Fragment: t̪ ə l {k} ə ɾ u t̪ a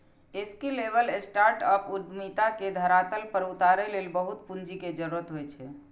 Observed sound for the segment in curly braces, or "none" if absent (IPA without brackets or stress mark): p